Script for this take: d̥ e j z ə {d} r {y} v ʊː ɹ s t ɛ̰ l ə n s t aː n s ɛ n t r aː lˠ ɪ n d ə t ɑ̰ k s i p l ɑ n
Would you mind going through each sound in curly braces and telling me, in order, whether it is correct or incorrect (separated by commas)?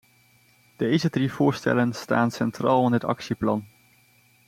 correct, incorrect